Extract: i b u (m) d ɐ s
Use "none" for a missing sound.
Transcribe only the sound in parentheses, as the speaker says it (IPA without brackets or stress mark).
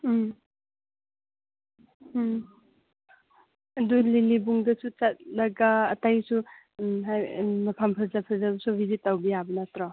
ŋ